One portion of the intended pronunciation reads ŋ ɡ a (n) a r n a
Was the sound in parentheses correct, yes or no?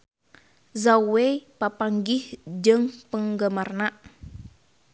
no